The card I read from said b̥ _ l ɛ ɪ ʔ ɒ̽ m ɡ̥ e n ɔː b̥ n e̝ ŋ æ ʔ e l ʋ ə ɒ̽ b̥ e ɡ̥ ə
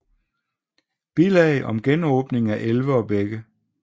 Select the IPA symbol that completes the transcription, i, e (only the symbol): i